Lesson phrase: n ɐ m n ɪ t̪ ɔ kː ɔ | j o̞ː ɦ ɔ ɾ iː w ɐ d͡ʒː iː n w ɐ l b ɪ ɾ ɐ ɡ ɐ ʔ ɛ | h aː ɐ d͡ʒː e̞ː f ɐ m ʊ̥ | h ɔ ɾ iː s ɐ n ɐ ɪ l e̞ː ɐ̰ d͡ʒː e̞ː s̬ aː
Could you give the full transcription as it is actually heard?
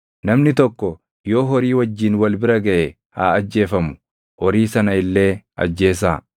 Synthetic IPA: n ɐ m n ɪ t̪ ɔ kː ɔ | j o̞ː ɦ ɔ ɾ iː w ɐ d͡ʒː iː n w ɐ l b ɪ ɾ ɐ ɡ ɐ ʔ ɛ | h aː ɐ d͡ʒː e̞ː f ɐ m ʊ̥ | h ɔ ɾ iː s ɐ n ɐ ɪ lː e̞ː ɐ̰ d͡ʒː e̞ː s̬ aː